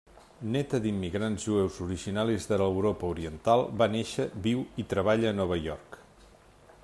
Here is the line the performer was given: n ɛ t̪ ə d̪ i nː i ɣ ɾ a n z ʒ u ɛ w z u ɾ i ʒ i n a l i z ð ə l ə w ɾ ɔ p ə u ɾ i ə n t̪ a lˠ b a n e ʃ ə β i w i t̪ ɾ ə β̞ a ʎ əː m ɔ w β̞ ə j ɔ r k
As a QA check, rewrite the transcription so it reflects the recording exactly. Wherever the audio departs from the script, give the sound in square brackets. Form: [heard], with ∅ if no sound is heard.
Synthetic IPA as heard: n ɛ t̪ ə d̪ i [mː] i ɣ ɾ a n z ʒ u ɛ w z u ɾ i ʒ i n a l i z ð ə l ə w ɾ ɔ p ə u ɾ i ə n t̪ a lˠ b a n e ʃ ə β i w i t̪ ɾ ə β̞ a ʎ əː [n] ɔ [∅] β̞ ə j ɔ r k